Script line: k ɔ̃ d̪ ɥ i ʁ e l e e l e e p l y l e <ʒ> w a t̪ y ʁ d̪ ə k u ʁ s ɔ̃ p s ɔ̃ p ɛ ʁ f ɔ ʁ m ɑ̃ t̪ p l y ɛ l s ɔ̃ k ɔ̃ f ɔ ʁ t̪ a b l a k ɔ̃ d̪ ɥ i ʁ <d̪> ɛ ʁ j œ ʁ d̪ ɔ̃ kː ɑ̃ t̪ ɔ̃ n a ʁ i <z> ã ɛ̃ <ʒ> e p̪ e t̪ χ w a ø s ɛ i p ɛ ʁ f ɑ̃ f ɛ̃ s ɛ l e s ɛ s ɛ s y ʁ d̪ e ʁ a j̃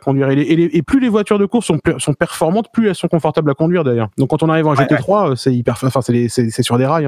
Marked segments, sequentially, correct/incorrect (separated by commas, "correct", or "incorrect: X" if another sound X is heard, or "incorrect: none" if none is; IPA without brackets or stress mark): incorrect: v, correct, incorrect: v, correct